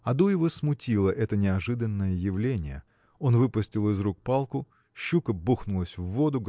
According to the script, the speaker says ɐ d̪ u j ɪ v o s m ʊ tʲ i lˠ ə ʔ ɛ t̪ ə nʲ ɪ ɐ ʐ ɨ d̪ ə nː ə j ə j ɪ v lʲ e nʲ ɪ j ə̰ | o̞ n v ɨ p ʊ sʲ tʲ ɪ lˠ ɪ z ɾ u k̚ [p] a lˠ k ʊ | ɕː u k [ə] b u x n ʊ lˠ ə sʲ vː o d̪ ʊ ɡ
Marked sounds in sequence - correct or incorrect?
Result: correct, correct

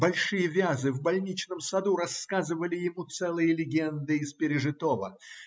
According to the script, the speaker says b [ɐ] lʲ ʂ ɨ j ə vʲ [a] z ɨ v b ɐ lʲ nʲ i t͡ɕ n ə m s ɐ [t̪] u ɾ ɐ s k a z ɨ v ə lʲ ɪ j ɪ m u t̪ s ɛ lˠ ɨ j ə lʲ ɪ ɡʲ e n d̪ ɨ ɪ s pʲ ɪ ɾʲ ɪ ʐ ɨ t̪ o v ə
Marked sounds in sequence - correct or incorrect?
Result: correct, correct, incorrect: d̪

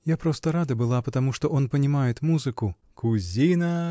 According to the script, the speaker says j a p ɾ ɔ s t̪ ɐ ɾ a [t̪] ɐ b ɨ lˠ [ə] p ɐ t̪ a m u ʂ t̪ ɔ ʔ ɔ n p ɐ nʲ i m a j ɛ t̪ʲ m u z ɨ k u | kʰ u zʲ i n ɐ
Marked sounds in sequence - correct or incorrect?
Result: incorrect: d̪, incorrect: a

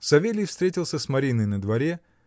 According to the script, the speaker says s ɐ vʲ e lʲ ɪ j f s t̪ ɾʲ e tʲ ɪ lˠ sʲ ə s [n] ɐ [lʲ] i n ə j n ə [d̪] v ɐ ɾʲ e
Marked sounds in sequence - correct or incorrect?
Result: incorrect: m, incorrect: ɾʲ, correct

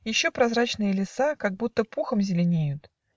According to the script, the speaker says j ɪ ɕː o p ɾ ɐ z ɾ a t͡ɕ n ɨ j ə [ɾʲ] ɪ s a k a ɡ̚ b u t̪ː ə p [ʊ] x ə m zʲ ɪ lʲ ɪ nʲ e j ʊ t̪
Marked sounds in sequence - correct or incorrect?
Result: incorrect: lʲ, incorrect: u

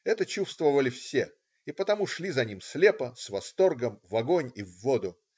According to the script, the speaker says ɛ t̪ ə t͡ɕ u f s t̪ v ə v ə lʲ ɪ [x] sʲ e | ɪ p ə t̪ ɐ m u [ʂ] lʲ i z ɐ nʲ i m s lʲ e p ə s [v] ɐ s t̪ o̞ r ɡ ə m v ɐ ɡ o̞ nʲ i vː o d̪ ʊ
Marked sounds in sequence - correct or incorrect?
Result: incorrect: f, correct, correct

